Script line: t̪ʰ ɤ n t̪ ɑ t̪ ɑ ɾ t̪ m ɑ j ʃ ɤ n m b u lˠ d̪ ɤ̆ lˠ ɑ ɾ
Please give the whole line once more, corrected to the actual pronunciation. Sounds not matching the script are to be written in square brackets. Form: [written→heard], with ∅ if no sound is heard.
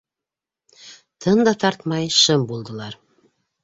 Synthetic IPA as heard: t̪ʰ ɤ n [t̪→d̪] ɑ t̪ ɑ ɾ t̪ m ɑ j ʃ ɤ [n→∅] m b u lˠ d̪ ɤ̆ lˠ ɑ ɾ